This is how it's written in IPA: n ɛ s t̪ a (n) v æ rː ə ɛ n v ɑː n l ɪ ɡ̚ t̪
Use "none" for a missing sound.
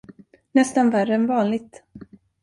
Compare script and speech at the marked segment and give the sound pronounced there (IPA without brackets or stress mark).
n